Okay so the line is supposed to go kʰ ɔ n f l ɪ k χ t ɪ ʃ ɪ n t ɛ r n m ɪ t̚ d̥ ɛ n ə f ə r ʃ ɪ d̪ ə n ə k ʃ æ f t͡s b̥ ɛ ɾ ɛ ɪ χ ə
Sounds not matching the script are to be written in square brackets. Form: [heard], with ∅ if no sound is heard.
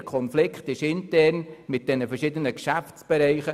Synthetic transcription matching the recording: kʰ ɔ n f l ɪ k χ t ɪ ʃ ɪ n t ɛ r n m ɪ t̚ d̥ ɛ n ə f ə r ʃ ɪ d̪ ə n ə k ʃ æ f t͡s b̥ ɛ ɾ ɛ ɪ χ ə